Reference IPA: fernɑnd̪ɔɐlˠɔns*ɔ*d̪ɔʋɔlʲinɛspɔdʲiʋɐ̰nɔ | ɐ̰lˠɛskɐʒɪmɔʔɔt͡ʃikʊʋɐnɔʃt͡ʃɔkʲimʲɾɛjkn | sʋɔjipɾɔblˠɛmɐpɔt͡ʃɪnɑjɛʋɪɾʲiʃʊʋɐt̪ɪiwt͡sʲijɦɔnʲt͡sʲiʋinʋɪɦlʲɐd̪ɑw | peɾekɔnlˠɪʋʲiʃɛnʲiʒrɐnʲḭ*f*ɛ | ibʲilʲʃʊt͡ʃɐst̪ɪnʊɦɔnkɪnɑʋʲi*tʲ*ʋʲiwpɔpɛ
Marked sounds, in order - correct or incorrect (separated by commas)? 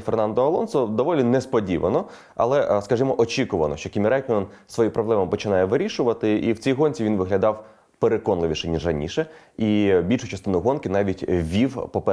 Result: correct, incorrect, correct